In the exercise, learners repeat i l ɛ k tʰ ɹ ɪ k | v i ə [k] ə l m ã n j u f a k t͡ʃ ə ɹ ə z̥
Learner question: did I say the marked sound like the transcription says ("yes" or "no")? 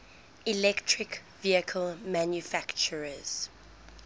no